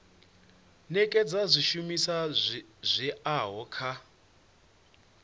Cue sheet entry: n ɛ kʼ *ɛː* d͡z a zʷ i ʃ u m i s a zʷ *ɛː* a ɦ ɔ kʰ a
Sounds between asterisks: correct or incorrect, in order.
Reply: incorrect: ɛ, incorrect: ɛ

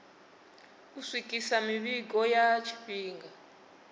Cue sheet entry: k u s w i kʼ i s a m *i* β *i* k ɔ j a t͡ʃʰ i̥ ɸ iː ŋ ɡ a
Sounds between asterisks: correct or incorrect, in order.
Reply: correct, correct

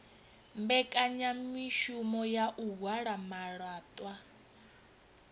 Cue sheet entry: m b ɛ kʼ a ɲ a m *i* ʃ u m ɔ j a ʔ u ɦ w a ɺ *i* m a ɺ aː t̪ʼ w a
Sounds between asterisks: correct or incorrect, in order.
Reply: correct, incorrect: a

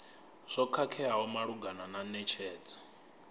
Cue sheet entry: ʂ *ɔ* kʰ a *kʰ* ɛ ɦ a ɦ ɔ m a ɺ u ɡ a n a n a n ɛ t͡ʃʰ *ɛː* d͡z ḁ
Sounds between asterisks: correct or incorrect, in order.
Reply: correct, correct, correct

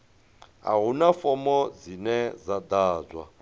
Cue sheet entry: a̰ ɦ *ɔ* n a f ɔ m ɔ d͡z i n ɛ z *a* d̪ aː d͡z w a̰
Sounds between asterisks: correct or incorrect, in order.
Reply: incorrect: u, correct

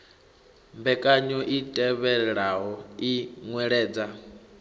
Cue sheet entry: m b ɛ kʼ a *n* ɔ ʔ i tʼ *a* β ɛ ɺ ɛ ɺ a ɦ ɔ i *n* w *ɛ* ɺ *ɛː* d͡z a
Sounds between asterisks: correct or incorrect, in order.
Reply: incorrect: ɲ, incorrect: ɛ, incorrect: ŋ, correct, correct

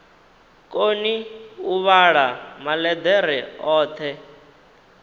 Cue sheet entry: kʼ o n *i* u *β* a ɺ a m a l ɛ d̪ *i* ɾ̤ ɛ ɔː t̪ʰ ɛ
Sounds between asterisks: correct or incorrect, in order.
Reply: correct, correct, incorrect: ɛ

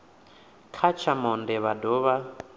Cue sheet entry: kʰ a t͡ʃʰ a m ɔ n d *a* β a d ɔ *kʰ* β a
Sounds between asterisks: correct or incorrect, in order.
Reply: incorrect: ɛ, incorrect: none

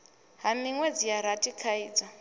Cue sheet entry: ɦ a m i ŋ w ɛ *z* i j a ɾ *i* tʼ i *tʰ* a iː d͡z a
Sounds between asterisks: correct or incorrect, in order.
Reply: incorrect: d͡z, incorrect: a, incorrect: kʰ

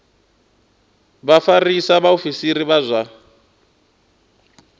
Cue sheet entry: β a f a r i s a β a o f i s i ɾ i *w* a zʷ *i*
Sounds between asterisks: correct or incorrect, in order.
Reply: incorrect: β, incorrect: a

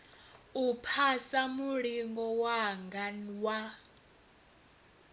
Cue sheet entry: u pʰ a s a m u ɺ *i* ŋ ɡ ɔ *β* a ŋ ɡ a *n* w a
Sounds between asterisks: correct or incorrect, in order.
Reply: correct, incorrect: w, correct

